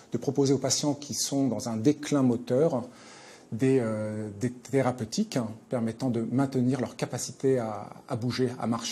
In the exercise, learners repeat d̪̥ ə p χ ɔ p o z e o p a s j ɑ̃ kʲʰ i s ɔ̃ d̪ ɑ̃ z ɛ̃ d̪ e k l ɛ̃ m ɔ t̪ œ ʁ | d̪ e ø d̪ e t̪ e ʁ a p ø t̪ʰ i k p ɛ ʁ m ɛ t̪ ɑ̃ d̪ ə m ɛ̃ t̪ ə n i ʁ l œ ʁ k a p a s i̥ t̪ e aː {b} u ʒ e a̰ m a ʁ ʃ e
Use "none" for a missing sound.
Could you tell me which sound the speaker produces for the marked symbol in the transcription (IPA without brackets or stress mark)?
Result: b